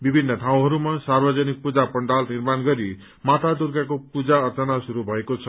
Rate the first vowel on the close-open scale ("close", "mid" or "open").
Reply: close